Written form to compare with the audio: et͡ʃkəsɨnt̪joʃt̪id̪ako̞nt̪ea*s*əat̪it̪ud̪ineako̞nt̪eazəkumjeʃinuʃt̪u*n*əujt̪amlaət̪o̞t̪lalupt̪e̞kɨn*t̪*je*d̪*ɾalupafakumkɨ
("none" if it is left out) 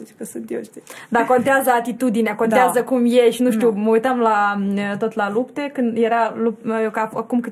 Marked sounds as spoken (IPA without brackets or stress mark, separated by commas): z, m, d̪, none